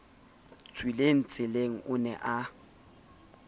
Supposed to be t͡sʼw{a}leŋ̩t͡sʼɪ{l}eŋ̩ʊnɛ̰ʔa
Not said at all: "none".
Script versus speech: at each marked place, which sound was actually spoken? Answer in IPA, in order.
i, l

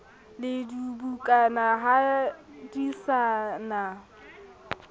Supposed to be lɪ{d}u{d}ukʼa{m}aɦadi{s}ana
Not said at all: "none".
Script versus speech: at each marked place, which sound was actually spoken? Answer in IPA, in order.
d, b, n, s

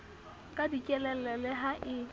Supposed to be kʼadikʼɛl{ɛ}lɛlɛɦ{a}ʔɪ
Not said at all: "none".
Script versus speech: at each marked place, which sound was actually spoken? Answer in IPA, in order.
ɛ, a

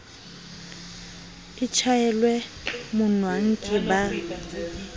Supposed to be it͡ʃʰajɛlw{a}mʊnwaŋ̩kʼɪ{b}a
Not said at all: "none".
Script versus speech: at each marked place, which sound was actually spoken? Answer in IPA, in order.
ɛ, b

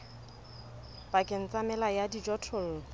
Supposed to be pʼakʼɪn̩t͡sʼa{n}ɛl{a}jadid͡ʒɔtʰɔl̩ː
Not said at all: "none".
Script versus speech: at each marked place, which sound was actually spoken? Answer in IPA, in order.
m, a

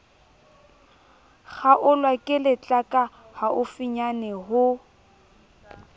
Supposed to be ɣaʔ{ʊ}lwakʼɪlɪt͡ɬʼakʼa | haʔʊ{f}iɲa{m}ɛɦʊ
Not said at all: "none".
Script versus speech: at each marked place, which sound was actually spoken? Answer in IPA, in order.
ʊ, f, n

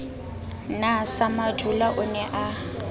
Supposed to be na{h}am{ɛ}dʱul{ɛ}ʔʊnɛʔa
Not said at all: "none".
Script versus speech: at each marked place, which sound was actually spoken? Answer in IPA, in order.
s, a, a

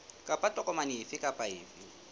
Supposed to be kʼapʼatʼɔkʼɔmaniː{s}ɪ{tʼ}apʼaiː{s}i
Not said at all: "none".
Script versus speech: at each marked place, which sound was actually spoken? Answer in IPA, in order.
f, kʼ, f

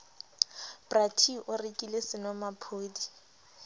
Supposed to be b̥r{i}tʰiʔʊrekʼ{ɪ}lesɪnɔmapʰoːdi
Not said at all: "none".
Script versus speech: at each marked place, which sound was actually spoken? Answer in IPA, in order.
a, i

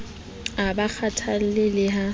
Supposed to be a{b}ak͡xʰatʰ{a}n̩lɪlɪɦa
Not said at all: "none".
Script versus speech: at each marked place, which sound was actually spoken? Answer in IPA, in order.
b, a

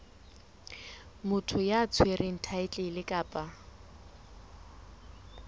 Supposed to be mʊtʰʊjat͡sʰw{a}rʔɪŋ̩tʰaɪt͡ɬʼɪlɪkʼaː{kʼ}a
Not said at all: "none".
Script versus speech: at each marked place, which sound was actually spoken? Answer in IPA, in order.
e, pʼ

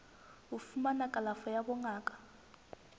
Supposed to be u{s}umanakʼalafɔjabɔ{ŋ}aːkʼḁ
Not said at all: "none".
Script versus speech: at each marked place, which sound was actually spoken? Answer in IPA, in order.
f, ŋ

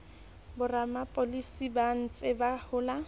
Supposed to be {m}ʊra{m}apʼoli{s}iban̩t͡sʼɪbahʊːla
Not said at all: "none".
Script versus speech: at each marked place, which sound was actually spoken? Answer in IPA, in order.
b, m, s

